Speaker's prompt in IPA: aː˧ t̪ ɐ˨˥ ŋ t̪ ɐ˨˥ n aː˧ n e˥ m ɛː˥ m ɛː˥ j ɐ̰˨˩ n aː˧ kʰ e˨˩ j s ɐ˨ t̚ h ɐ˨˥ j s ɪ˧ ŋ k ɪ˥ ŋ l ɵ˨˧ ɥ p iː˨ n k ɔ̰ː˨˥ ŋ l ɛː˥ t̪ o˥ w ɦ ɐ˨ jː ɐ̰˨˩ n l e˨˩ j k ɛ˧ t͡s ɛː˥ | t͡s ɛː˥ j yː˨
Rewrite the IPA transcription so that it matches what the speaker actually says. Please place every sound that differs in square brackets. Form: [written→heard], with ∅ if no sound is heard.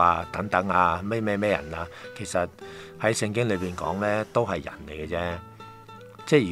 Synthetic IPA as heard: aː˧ t̪ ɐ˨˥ ŋ t̪ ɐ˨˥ [n→ŋ] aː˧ [n→m] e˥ m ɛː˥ m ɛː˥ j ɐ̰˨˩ n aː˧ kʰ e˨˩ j s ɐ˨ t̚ h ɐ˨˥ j s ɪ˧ ŋ k ɪ˥ ŋ l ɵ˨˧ ɥ p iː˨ n k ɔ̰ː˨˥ ŋ l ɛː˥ t̪ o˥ w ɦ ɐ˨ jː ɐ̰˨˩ n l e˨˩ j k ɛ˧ t͡s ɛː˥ | t͡s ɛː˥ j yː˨